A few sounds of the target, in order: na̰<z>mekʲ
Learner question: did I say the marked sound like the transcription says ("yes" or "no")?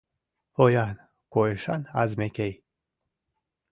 yes